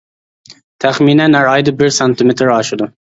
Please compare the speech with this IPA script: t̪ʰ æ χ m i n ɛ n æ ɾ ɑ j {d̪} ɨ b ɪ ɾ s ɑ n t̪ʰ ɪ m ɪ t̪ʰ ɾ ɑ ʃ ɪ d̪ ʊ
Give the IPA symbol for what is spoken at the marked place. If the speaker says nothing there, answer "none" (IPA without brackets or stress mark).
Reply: d̪